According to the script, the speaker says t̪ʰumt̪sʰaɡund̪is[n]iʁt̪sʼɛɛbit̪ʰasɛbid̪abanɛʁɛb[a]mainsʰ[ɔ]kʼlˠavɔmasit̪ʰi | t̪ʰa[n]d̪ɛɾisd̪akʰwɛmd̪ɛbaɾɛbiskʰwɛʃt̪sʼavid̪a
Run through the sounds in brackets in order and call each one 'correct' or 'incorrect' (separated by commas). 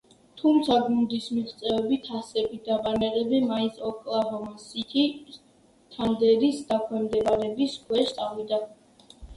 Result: incorrect, incorrect, correct, correct